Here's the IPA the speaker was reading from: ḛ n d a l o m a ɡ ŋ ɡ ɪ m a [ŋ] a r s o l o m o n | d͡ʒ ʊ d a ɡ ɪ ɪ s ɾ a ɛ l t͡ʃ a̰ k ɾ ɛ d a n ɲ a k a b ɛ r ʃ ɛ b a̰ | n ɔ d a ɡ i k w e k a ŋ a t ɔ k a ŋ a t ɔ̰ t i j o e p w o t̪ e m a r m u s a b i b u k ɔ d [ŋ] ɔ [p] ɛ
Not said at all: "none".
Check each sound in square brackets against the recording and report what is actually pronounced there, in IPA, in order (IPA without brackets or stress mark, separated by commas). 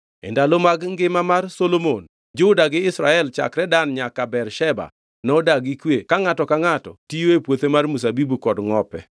m, ŋ, p